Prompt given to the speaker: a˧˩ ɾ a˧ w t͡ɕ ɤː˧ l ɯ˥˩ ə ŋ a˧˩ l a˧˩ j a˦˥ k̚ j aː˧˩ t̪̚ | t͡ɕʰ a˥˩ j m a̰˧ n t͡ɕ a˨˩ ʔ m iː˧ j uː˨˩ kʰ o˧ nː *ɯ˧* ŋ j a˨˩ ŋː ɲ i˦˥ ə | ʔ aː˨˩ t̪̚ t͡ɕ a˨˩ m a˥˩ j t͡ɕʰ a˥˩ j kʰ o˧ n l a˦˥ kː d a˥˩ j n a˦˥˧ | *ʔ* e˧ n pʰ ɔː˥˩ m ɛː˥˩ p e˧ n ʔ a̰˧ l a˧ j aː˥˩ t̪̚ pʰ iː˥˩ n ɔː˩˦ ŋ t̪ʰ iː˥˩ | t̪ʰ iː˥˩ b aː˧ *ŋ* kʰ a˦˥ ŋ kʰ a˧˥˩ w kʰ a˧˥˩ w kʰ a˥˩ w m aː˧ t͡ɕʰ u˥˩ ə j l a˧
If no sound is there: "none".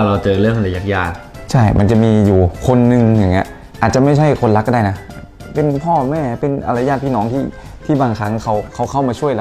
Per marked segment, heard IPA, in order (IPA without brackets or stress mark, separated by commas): ɯ˧, p, ŋ